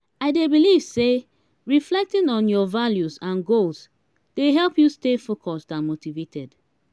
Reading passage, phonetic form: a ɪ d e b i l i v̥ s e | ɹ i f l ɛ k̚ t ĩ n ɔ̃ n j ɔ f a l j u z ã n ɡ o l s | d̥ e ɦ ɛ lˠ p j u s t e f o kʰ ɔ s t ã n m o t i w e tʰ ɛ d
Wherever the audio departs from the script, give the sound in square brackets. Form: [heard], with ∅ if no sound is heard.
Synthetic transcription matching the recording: a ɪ d e b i l i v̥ s e | ɹ i f l ɛ k̚ t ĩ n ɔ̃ n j ɔ [v] a l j u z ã n ɡ o l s | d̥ e ɦ ɛ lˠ p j u s t e f o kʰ ɔ s t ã n m o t i [v] e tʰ ɛ d